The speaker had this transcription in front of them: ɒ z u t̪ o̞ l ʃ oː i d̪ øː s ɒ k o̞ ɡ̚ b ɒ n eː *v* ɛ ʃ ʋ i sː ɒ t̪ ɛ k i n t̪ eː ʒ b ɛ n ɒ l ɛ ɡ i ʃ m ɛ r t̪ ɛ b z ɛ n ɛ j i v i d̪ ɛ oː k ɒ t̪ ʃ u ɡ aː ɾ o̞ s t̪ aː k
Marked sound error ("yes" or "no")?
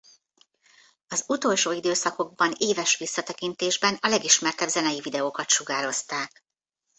no